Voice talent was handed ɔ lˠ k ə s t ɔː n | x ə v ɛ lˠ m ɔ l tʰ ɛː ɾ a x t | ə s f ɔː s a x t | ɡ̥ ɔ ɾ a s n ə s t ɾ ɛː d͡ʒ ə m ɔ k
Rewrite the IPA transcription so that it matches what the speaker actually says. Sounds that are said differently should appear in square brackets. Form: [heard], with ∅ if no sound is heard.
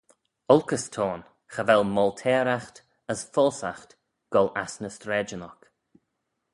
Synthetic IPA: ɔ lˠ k ə s [tʰ] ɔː n | x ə v ɛ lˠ m ɔ l tʰ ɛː ɾ a x t | ə s f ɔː s a x t | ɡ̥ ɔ [l] a s n ə s t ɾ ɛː d͡ʒ ə [n] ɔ k